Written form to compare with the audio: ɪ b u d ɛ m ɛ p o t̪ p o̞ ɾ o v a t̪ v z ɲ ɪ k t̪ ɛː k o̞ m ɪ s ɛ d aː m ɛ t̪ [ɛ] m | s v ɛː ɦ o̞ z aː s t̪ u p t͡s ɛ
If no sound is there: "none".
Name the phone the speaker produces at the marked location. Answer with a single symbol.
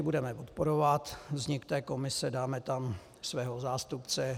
a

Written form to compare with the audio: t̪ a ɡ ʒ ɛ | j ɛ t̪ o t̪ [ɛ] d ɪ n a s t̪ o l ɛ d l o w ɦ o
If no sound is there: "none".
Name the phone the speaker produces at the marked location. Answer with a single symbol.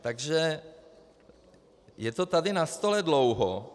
a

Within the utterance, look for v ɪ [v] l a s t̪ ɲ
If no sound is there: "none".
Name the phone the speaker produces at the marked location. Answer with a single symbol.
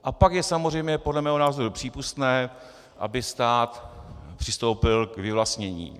v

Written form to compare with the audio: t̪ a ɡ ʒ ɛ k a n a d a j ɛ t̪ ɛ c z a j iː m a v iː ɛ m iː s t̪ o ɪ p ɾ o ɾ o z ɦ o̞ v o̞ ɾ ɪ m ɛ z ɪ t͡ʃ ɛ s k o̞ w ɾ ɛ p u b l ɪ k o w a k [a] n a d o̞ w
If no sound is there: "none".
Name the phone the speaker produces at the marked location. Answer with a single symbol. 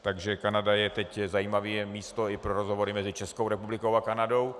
a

